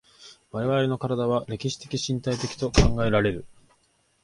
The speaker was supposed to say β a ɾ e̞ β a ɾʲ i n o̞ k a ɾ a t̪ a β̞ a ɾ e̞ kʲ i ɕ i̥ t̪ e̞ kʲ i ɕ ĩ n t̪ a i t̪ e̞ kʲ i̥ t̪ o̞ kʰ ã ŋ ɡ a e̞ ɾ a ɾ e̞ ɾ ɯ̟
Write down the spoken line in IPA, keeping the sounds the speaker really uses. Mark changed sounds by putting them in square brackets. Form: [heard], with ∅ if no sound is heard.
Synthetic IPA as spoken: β a ɾ e̞ β a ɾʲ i n o̞ k a ɾ a [d̪] a β̞ a ɾ e̞ kʲ i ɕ i̥ t̪ e̞ kʲ i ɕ ĩ n t̪ a i t̪ e̞ kʲ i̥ t̪ o̞ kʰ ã ŋ ɡ a e̞ ɾ a ɾ e̞ ɾ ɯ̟